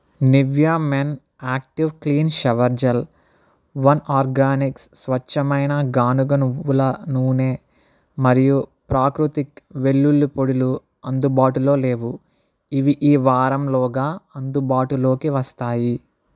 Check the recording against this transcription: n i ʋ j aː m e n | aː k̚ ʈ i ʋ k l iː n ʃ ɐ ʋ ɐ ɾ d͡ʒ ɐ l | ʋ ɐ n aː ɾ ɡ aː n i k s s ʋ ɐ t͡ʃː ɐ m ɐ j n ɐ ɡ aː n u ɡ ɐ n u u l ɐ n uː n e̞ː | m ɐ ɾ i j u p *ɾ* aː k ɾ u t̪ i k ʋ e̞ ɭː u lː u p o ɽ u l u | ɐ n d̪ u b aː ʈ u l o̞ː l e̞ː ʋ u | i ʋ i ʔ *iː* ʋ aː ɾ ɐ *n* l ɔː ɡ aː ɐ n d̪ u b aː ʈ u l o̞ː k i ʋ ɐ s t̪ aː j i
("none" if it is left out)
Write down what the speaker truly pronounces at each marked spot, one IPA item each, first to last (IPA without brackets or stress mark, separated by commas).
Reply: ɾ, iː, m